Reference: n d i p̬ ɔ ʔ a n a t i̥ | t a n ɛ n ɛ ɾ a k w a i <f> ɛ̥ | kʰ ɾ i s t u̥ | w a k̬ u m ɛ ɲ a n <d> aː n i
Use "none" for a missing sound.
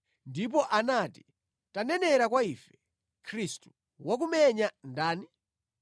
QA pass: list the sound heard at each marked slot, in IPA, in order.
f, d

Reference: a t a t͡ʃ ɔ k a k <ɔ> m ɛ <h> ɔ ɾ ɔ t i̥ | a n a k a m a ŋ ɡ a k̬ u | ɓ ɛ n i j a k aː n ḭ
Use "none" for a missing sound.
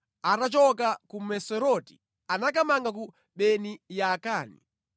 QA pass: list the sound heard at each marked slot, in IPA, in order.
u, s

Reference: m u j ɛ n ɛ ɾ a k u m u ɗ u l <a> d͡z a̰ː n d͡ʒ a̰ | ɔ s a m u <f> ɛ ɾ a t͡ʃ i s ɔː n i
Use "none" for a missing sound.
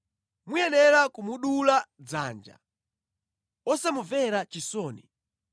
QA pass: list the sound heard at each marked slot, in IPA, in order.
a, v

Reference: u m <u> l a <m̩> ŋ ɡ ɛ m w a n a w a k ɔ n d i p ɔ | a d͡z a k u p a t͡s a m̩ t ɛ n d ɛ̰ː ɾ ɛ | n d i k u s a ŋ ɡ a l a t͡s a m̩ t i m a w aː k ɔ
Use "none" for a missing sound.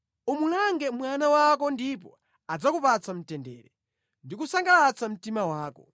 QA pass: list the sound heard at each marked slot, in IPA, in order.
u, none

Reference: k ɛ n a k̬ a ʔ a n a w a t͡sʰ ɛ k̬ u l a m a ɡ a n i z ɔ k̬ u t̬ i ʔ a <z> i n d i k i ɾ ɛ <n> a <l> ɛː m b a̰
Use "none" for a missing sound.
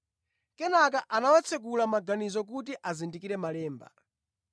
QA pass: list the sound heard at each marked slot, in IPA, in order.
z, m, l

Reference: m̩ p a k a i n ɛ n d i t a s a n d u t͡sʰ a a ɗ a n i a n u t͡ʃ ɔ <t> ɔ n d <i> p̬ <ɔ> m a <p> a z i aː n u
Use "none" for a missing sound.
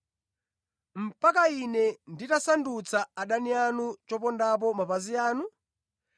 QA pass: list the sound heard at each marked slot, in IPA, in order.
p, a, ɔ, p

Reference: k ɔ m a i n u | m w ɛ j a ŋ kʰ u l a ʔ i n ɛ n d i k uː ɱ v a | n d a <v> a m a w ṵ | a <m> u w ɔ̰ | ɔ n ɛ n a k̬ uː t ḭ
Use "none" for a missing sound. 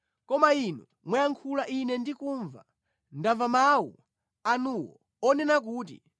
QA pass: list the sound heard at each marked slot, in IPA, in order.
v, n

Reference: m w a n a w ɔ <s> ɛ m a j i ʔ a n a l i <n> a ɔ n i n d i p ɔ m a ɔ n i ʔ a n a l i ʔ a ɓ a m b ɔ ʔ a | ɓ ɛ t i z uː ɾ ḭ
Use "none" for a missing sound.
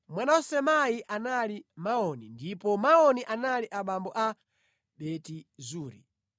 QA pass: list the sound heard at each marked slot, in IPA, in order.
s, m

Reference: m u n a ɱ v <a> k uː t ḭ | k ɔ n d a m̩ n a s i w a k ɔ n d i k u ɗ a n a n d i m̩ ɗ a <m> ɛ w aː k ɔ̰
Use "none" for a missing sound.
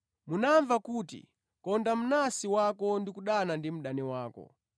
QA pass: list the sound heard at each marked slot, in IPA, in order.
a, n

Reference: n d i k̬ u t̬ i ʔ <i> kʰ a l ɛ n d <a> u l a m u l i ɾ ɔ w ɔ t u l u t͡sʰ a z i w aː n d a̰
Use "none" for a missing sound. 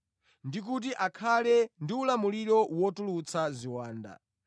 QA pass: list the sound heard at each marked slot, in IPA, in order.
a, i

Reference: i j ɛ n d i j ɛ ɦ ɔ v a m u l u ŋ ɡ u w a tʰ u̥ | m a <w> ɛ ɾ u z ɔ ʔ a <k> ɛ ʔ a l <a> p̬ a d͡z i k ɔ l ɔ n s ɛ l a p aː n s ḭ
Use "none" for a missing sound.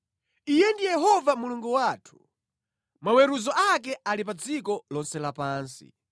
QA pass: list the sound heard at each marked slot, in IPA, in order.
w, k, i

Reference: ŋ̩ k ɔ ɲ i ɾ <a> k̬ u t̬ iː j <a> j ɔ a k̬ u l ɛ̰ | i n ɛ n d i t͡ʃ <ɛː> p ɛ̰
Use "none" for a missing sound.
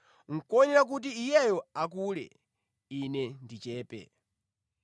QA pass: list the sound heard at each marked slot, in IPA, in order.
a, ɛ, ɛː

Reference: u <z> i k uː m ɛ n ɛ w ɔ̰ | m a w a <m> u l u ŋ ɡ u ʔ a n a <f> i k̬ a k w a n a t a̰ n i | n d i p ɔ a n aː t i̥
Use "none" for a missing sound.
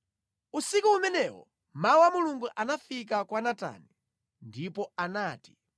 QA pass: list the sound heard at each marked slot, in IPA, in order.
s, m, f

